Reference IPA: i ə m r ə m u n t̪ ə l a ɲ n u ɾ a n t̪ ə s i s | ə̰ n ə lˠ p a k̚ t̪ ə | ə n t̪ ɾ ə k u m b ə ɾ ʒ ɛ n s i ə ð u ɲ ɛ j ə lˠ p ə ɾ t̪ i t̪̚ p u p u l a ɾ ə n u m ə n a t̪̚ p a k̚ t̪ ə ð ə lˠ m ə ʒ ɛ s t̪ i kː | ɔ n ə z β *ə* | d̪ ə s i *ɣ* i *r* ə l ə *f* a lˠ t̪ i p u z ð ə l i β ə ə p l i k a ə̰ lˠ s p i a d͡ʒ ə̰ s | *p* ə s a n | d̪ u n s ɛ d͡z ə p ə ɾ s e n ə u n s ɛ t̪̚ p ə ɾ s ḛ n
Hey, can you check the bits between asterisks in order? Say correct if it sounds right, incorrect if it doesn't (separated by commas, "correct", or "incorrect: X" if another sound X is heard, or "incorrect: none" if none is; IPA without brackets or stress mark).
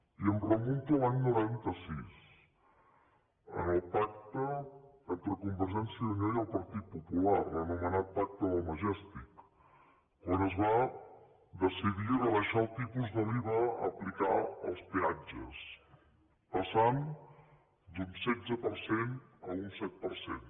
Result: incorrect: a, incorrect: ð, correct, incorrect: ʃ, correct